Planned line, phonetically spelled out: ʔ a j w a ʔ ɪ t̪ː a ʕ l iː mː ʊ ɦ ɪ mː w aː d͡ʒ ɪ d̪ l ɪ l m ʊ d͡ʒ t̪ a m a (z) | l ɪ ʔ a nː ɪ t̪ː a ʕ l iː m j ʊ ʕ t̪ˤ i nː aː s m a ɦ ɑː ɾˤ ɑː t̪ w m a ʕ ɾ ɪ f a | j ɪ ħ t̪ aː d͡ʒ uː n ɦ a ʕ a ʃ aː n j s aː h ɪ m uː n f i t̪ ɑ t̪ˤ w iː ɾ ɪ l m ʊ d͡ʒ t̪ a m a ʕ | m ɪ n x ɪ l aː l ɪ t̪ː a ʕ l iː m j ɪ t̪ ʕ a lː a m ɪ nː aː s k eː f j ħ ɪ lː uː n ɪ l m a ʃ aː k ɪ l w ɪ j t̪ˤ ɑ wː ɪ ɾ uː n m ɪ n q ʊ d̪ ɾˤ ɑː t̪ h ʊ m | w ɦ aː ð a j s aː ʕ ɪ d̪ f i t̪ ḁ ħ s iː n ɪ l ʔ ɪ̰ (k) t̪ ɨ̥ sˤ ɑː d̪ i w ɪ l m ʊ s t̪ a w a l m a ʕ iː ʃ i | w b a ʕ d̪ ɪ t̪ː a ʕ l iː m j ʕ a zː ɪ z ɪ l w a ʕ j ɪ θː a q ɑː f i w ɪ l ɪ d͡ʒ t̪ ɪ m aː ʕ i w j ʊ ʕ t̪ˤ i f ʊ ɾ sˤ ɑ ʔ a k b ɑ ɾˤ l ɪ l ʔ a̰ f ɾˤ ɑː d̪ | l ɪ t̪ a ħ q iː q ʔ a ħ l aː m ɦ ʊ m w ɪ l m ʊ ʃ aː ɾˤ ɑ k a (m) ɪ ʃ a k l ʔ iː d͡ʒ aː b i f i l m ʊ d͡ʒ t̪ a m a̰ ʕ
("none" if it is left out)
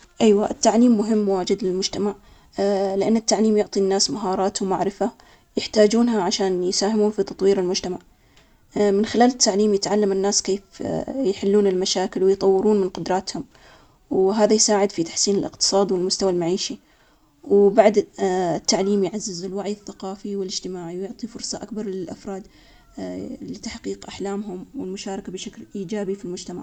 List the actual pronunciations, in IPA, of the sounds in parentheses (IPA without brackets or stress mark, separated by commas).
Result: ʕ, q, b